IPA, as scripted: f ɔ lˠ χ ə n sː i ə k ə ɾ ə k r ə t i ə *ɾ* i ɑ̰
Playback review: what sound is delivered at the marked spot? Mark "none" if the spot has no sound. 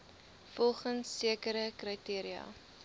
ɾ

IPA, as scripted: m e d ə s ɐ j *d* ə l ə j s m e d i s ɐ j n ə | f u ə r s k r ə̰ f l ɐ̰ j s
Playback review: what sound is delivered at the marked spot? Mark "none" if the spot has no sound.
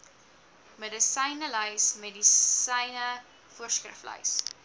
n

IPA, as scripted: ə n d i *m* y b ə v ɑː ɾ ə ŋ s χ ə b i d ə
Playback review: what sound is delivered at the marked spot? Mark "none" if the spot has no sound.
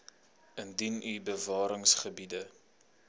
n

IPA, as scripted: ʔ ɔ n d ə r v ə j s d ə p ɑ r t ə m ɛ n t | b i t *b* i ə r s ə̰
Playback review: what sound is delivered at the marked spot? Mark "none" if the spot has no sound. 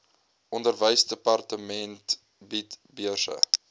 b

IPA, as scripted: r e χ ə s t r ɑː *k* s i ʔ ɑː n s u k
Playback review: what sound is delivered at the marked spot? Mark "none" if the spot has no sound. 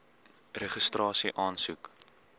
none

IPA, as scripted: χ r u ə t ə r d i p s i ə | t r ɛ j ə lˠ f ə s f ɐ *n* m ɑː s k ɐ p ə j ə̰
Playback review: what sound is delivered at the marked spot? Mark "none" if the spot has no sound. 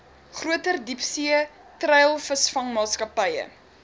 ŋ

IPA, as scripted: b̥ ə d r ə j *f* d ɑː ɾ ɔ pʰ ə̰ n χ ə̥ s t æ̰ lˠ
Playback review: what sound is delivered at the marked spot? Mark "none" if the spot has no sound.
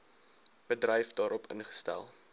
f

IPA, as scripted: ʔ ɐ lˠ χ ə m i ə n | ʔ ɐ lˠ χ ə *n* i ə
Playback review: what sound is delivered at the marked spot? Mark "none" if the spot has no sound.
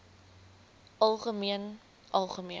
m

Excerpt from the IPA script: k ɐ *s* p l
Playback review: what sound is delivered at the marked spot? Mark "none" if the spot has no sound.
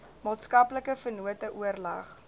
none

